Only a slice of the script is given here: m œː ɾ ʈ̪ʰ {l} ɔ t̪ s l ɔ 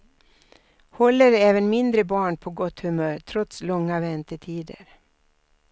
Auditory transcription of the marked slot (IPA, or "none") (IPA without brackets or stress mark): ɾ